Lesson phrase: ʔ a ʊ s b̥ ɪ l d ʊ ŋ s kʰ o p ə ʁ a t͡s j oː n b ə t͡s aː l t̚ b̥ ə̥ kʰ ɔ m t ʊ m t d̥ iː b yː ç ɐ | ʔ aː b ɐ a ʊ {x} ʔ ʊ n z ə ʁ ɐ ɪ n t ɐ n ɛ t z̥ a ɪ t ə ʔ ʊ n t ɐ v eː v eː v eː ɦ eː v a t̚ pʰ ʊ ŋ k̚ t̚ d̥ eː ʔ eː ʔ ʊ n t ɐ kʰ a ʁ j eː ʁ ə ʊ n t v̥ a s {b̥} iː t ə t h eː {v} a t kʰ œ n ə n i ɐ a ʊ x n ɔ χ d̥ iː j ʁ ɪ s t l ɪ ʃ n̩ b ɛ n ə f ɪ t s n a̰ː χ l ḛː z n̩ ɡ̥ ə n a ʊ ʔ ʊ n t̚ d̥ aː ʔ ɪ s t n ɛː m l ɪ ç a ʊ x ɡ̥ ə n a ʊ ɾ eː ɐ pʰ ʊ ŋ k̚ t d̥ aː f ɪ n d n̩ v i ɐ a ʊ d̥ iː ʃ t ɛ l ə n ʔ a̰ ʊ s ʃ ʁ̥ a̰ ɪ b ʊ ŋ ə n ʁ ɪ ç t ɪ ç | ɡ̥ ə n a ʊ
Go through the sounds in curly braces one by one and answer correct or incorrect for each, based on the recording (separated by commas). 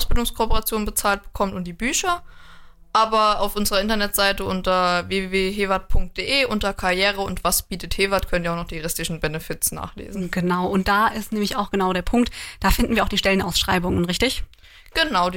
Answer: incorrect, correct, correct